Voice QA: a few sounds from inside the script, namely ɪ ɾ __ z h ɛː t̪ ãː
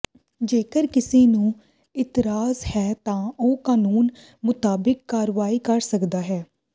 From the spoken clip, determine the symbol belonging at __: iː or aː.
aː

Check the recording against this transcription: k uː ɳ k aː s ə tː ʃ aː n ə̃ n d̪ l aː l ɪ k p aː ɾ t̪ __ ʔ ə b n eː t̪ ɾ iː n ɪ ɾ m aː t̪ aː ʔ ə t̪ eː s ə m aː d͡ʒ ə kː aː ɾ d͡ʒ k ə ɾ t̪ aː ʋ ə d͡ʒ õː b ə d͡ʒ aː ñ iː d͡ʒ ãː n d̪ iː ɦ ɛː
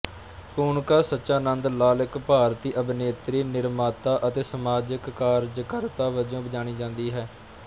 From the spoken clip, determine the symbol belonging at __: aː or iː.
iː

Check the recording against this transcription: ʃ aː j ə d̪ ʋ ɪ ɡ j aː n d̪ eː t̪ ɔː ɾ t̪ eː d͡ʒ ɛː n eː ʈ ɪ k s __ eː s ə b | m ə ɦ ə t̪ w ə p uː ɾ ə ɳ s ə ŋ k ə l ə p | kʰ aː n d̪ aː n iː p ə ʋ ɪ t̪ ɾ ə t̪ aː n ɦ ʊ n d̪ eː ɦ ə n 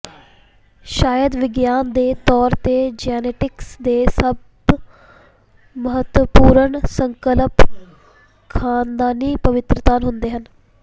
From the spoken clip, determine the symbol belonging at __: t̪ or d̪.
d̪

